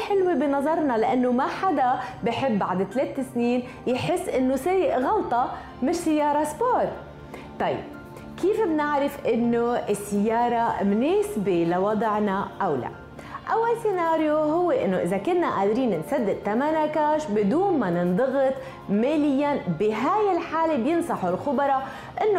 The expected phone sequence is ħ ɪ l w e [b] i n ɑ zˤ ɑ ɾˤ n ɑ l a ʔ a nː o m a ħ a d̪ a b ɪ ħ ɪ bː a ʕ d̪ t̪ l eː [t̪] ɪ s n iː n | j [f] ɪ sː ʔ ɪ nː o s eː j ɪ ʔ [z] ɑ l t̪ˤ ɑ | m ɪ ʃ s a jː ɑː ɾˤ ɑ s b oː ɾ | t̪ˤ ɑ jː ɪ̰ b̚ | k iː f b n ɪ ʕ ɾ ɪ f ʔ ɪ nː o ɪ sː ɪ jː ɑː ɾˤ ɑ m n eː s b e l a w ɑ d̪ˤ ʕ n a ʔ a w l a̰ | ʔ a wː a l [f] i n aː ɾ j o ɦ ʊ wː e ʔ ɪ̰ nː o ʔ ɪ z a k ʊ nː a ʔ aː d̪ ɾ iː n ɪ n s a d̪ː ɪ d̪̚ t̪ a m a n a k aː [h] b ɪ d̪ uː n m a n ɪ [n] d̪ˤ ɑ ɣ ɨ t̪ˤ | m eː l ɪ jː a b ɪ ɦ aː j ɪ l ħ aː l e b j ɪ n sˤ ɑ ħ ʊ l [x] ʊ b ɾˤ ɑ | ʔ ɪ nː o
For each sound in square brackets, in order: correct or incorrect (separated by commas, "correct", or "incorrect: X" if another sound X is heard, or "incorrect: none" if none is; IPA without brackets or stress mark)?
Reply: correct, correct, incorrect: ħ, incorrect: ɣ, incorrect: s, incorrect: ʃ, correct, correct